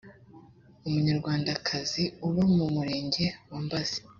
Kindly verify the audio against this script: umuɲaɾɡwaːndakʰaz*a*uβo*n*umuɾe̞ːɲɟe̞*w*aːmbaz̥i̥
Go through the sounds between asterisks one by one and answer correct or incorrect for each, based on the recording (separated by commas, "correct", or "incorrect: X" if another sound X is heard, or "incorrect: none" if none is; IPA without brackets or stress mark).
incorrect: i, incorrect: m, correct